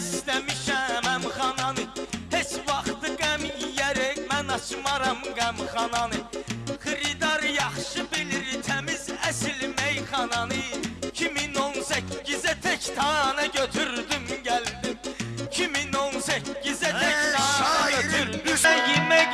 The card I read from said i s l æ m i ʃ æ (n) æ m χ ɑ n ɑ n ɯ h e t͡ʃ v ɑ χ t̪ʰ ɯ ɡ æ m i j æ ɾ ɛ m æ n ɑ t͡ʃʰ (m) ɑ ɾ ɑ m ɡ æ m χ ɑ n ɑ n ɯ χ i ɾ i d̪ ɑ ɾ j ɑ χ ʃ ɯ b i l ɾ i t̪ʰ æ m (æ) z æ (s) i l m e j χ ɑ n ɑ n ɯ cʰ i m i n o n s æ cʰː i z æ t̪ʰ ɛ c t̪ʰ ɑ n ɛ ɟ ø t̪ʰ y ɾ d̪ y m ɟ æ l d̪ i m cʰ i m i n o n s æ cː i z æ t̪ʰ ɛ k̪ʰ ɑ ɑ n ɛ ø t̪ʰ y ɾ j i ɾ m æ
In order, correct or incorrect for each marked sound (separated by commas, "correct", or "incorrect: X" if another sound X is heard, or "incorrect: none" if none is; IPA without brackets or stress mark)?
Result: incorrect: m, correct, incorrect: i, correct